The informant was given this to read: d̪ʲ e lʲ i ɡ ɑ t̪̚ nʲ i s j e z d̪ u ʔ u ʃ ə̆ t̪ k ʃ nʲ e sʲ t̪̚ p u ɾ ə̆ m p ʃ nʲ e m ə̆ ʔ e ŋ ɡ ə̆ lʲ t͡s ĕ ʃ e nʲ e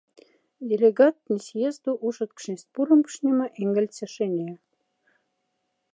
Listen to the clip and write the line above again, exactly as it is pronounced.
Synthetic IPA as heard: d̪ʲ e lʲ e ɡ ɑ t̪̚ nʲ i s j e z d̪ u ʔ u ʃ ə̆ t̪ k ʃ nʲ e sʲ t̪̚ p u ɾ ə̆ m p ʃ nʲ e m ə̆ ʔ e ŋ ɡ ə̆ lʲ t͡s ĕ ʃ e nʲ e